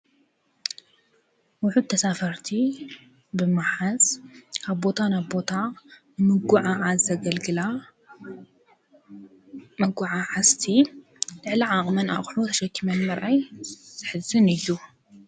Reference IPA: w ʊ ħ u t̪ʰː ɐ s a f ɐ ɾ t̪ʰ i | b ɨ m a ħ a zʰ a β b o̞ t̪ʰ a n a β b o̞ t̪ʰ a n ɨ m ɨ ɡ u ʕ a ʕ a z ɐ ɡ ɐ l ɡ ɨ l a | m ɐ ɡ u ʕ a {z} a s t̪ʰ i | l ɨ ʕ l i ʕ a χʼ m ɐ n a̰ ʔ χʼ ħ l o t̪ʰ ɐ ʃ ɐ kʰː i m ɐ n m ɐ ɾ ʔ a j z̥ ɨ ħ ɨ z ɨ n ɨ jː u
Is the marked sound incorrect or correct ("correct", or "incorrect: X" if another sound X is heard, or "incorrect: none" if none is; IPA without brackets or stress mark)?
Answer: incorrect: ʕ